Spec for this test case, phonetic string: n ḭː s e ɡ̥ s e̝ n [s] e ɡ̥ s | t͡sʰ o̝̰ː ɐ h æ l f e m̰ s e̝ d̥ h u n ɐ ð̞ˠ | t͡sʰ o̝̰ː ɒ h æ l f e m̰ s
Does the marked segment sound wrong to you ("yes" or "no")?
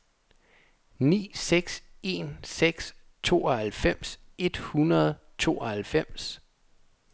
no